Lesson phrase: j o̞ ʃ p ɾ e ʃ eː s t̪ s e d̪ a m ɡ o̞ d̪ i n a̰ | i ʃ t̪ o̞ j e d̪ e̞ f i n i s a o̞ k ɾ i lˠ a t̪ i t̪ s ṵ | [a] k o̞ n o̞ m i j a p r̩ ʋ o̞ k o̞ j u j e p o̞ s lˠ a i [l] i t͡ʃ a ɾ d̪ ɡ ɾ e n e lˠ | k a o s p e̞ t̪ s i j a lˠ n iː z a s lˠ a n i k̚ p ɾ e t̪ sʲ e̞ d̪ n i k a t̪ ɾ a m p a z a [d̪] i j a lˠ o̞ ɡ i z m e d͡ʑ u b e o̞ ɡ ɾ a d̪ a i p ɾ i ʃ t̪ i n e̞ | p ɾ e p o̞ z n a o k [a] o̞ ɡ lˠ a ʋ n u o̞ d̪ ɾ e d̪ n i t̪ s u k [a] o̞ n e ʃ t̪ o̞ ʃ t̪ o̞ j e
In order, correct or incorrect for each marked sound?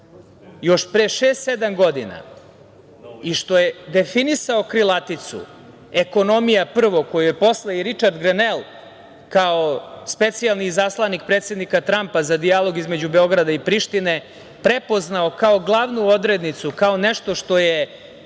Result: incorrect: e, incorrect: ɾ, correct, correct, correct

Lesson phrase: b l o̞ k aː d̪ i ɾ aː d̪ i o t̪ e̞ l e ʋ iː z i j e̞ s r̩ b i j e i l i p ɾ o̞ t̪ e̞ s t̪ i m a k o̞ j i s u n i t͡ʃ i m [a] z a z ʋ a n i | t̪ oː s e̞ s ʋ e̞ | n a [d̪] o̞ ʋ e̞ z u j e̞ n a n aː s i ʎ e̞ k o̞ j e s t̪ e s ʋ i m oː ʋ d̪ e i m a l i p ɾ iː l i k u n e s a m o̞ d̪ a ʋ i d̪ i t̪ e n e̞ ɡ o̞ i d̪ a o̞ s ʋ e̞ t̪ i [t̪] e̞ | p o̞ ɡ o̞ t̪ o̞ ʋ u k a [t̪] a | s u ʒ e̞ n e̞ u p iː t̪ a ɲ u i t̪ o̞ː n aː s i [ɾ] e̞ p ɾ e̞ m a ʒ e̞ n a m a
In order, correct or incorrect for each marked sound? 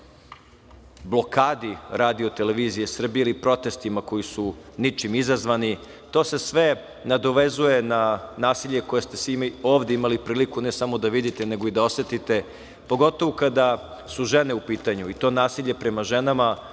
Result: incorrect: i, correct, correct, incorrect: d̪, incorrect: ʎ

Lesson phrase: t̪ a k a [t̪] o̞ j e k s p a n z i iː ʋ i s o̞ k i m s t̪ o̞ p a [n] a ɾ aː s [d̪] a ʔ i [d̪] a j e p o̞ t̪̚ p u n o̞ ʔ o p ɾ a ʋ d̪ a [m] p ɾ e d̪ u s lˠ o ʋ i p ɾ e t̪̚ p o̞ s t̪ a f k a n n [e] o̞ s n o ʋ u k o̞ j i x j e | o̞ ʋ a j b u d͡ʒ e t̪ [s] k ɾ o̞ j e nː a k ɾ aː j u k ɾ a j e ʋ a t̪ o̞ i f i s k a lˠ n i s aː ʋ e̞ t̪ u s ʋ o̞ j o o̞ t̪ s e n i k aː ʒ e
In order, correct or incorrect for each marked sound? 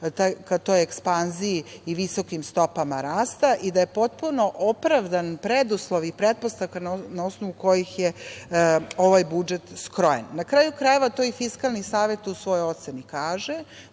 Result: correct, incorrect: m, incorrect: t̪, correct, incorrect: n, incorrect: a, correct

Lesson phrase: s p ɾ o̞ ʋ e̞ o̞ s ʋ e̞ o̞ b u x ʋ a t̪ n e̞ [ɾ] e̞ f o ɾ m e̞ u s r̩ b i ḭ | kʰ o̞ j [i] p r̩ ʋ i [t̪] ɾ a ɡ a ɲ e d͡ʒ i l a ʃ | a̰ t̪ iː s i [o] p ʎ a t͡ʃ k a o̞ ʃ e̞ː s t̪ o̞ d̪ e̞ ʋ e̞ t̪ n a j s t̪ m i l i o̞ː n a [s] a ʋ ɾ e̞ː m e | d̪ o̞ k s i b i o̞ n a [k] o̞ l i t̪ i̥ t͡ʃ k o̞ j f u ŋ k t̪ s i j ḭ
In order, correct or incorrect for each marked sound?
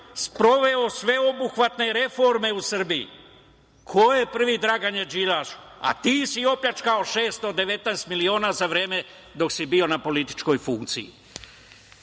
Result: correct, incorrect: e, incorrect: d̪, correct, incorrect: z, incorrect: p

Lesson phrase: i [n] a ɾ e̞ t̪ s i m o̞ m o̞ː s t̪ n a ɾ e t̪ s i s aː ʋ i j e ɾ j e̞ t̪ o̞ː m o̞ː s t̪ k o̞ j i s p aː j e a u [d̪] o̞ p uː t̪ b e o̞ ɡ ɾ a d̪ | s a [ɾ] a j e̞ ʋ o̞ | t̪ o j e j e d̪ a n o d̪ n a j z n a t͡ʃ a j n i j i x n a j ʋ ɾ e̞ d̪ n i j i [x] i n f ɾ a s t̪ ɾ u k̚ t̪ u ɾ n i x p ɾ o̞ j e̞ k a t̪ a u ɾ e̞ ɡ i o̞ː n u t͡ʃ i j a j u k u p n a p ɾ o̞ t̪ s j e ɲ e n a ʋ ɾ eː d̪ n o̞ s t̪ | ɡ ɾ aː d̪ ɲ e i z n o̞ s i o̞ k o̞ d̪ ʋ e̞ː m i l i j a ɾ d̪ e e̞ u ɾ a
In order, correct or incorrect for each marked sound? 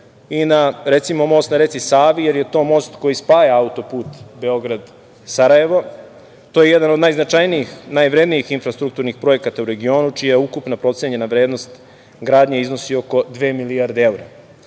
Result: correct, incorrect: t̪, correct, correct

